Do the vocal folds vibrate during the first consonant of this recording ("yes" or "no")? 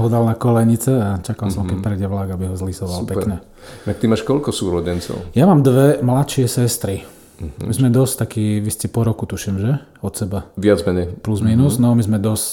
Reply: yes